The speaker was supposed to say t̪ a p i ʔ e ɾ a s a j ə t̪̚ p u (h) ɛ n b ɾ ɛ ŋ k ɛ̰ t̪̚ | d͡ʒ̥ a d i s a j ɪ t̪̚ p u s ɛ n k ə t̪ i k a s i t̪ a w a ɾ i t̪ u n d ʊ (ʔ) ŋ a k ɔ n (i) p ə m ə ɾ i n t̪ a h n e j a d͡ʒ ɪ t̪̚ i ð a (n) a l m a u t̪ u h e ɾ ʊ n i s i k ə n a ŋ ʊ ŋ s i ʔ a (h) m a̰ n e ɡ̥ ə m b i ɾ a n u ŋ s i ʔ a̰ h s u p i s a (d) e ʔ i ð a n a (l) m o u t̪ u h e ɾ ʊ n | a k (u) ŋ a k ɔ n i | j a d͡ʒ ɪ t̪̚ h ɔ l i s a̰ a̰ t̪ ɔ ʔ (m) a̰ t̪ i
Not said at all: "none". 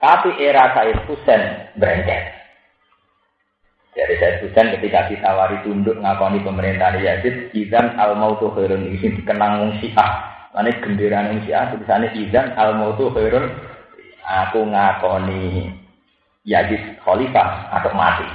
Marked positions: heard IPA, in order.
s, ʔ, i, n, h, n, l, u, m

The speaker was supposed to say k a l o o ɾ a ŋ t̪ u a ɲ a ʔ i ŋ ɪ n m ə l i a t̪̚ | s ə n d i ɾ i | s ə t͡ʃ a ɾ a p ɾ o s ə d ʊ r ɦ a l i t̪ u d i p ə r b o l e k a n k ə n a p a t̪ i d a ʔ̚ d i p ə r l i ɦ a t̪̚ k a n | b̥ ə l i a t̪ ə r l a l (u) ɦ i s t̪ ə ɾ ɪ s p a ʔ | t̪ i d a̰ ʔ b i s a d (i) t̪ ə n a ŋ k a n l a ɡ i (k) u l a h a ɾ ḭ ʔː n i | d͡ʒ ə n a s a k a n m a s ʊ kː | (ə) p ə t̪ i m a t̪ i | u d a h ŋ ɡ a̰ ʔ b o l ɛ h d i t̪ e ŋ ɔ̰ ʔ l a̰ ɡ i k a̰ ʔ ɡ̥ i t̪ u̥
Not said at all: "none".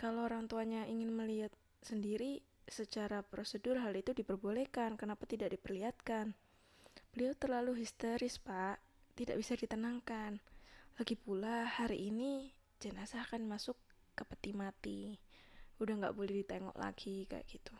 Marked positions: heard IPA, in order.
u, i, p, ə

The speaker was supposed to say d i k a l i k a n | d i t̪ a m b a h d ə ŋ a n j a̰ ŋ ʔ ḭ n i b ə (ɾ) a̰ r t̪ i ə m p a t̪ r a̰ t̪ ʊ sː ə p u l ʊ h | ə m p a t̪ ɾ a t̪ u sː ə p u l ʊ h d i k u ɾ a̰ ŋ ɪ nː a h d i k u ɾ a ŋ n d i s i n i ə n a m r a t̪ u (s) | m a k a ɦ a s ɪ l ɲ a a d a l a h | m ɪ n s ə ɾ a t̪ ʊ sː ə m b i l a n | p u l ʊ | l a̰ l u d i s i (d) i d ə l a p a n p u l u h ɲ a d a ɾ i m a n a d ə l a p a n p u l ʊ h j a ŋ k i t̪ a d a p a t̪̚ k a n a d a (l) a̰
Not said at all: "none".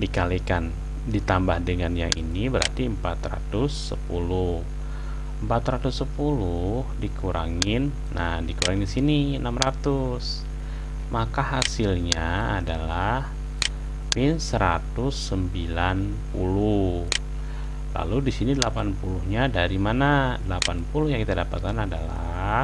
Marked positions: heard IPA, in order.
ɾ, s, n, l

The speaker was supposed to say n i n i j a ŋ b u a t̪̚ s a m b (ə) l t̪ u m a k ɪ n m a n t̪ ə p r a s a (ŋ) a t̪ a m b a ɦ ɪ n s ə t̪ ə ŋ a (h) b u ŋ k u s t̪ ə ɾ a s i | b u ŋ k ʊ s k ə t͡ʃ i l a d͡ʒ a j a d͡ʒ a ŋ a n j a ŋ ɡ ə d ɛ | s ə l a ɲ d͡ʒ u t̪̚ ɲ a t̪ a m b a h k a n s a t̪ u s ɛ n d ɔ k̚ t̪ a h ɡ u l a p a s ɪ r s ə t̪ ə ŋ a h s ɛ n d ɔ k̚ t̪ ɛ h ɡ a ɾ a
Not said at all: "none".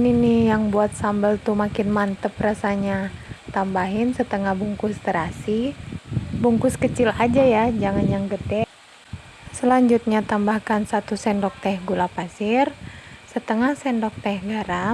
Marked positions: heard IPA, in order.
ə, ɲ, h

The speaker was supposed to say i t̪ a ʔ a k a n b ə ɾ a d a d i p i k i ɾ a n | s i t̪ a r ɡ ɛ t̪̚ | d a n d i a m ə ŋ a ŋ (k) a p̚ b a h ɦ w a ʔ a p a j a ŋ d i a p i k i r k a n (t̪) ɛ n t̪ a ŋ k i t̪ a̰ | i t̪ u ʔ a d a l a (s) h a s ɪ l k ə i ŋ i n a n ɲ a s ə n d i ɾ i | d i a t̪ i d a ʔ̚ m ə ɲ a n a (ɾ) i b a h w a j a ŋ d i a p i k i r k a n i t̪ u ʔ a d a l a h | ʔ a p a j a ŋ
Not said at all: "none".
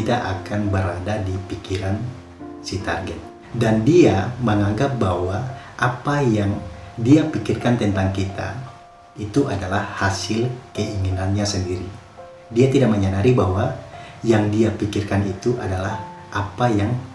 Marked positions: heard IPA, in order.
ɡ, t̪, h, ɾ

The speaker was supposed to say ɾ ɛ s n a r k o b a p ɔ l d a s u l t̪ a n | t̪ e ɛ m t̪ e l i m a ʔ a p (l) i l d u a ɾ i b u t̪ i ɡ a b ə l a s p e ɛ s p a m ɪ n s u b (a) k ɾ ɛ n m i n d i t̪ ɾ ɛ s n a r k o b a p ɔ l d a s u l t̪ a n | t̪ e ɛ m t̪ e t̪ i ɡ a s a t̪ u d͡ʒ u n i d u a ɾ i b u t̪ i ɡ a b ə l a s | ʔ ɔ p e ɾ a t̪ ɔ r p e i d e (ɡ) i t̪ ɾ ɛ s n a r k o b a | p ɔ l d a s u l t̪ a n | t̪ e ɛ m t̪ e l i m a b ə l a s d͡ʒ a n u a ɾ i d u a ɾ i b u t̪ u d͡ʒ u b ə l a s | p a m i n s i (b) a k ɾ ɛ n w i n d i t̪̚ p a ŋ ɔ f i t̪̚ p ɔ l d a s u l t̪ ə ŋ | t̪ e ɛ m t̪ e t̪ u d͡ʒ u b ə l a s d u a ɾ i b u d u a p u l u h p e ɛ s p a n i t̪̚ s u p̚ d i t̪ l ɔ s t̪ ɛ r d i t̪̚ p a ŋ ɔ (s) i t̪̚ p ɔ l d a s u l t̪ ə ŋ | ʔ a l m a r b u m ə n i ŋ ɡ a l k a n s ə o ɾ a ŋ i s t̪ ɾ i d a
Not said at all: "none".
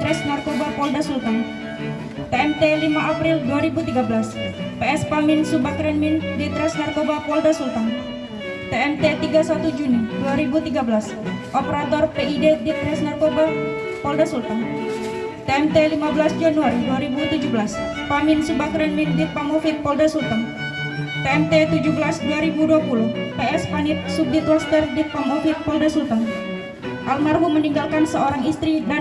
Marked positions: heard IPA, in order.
ɾ, a, d, b, f

